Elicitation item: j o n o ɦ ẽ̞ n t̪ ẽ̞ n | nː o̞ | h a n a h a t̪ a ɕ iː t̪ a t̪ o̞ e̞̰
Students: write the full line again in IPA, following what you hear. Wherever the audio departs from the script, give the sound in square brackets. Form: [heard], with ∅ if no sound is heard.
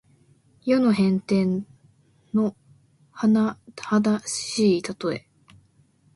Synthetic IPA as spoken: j o n o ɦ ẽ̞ n t̪ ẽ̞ n | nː o̞ | h a n a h a [d̪] a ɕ iː t̪ a t̪ o̞ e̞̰

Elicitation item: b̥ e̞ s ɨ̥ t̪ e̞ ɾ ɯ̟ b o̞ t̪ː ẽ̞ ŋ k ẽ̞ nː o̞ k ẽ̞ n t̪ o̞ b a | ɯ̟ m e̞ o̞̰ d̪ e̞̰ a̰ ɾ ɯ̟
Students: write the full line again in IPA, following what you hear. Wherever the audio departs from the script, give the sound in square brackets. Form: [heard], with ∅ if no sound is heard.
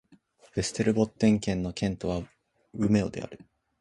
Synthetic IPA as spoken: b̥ e̞ s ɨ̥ t̪ e̞ ɾ ɯ̟ b o̞ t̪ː ẽ̞ ŋ k ẽ̞ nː o̞ k ẽ̞ n t̪ o̞ [β] a | ɯ̟ m e̞ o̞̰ d̪ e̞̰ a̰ ɾ ɯ̟

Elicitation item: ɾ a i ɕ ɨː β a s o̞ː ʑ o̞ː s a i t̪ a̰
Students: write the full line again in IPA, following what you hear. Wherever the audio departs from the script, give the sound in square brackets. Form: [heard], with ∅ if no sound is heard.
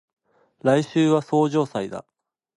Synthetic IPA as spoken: ɾ a i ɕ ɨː β a s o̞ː ʑ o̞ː s a i [d̪] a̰

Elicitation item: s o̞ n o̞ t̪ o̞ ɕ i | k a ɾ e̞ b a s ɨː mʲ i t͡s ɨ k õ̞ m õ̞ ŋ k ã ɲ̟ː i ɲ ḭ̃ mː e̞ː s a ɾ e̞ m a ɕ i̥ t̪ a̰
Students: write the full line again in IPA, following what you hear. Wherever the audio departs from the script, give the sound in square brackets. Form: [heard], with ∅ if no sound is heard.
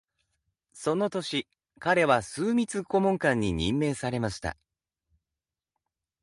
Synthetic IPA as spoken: s o̞ n o̞ t̪ o̞ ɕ i | k a ɾ e̞ [β] a s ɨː mʲ i t͡s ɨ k [o̞] m õ̞ ŋ k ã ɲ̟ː i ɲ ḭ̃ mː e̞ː s a ɾ e̞ m a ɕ i̥ t̪ a̰

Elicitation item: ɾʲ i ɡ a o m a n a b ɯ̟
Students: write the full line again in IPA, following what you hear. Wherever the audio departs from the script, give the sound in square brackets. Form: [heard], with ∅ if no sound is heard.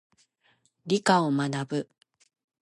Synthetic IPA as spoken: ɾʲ i [k] a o m a n a b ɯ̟

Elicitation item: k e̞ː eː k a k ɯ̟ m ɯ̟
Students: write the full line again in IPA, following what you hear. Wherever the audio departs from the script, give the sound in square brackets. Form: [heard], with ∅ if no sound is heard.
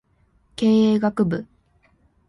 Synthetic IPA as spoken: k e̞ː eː [ɡ] a k ɯ̟ [b] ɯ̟

